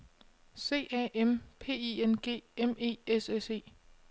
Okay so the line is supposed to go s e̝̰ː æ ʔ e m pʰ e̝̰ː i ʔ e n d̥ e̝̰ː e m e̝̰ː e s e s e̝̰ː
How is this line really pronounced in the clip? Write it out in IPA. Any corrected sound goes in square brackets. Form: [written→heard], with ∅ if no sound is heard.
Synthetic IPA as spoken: s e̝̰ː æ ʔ e m pʰ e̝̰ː i [ʔ→∅] e n [d̥→ɡ̥] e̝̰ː e m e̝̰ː e s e s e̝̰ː